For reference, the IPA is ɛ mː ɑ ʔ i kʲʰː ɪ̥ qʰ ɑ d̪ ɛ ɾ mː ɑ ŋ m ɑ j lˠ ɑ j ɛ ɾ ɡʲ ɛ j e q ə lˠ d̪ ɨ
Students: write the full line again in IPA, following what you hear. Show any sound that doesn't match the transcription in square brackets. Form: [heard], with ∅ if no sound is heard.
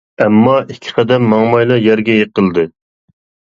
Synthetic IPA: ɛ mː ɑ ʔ i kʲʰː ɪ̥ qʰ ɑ d̪ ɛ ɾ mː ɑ ŋ m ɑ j lˠ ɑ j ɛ ɾ ɡʲ ɛ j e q ə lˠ d̪ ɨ